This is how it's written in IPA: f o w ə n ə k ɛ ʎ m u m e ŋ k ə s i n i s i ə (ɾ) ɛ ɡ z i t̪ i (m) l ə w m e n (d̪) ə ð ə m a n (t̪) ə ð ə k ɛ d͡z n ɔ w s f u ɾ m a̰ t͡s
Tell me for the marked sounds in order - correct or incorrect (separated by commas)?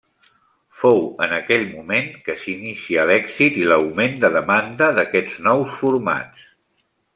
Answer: incorrect, incorrect, correct, incorrect